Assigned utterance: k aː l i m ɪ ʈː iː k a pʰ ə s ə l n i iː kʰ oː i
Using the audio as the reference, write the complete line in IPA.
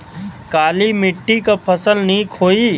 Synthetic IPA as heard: k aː l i m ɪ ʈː i k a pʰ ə s ə l n i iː kʰ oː i